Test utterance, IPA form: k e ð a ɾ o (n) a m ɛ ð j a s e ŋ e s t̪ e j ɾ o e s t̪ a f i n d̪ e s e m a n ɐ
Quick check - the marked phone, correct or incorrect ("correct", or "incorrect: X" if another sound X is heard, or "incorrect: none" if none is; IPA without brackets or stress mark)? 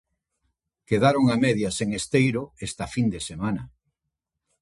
incorrect: ŋ